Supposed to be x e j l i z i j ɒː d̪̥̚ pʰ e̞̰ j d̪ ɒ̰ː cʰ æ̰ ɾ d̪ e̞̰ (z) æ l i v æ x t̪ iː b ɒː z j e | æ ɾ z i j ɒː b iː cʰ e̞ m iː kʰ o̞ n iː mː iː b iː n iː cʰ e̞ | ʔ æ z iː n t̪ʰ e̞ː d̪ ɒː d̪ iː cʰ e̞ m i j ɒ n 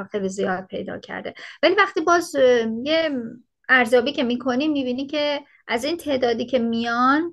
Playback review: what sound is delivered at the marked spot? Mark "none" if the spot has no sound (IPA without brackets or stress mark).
v